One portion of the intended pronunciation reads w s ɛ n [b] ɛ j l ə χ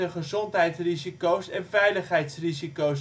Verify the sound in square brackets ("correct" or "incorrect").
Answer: incorrect